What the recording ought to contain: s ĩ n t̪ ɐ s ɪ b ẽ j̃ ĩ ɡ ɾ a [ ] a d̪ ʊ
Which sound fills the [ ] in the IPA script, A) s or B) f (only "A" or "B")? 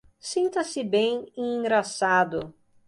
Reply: A